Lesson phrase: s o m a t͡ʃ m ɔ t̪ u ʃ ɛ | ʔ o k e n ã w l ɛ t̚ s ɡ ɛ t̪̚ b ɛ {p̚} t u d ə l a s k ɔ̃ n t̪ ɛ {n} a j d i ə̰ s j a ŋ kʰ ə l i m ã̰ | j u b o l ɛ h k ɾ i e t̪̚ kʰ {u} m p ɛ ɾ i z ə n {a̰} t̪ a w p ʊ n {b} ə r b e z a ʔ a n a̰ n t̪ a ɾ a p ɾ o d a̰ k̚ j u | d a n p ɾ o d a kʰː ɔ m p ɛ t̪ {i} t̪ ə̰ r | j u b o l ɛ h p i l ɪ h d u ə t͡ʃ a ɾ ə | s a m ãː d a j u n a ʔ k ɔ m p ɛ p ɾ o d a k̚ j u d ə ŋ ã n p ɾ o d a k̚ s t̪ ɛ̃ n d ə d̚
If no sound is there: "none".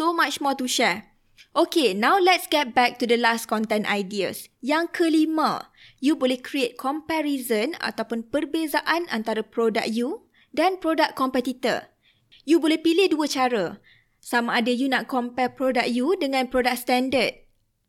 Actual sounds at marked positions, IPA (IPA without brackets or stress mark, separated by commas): k̚, n, ɔ, a̰, p, i